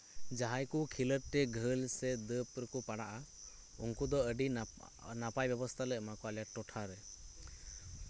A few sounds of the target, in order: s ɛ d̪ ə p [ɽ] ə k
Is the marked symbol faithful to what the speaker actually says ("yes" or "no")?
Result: no